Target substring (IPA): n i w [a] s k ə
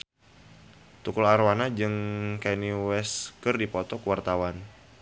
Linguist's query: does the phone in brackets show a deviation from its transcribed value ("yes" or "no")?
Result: yes